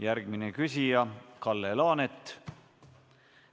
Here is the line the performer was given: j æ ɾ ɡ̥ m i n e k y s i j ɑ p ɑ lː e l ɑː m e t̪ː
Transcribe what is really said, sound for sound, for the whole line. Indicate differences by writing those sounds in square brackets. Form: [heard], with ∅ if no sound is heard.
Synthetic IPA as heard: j æ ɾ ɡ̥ m i n e k y s i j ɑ [k] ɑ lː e l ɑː [n] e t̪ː